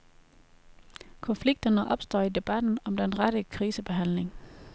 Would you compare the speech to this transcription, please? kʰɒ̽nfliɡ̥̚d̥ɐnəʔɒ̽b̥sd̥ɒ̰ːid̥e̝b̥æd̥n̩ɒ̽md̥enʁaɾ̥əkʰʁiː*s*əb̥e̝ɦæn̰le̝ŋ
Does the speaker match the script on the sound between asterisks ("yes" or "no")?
yes